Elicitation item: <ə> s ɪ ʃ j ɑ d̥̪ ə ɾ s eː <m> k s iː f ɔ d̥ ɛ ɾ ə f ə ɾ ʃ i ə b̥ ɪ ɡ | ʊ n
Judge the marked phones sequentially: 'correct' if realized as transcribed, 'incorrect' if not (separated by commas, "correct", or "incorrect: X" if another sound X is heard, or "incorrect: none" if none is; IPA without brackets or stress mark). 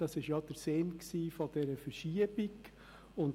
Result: incorrect: ɑ, incorrect: n